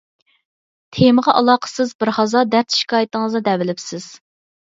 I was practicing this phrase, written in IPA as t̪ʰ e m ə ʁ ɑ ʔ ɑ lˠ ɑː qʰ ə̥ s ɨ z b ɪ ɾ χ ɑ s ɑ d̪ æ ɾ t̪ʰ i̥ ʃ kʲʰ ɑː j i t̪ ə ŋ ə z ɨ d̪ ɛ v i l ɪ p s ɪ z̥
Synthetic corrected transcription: t̪ʰ e m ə ʁ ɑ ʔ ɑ lˠ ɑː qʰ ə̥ s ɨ z b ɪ ɾ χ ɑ z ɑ d̪ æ ɾ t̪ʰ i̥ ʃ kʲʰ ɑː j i t̪ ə ŋ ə z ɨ d̪ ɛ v ɪ l ɪ p s ɪ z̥